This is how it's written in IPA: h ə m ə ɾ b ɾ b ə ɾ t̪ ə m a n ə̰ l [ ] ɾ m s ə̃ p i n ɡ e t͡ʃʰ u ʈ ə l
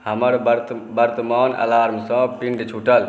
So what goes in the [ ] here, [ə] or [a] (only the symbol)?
a